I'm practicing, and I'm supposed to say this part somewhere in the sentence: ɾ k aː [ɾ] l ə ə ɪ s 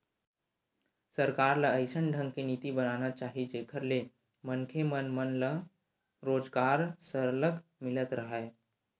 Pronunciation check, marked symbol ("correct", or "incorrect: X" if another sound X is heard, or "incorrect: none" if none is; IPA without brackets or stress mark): correct